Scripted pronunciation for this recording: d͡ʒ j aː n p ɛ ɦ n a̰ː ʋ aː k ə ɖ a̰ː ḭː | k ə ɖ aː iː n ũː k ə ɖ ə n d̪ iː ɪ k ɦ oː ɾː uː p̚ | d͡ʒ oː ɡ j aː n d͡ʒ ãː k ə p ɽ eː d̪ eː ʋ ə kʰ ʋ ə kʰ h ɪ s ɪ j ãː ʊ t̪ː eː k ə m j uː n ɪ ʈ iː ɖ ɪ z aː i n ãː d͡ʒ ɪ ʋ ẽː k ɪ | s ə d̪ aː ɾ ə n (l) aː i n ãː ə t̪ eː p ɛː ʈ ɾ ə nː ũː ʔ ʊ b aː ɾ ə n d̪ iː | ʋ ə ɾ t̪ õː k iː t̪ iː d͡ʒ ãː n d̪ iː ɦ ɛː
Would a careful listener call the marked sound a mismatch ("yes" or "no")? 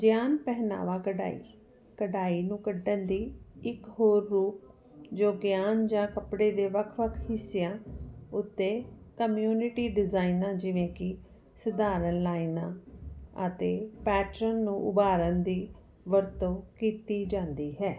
no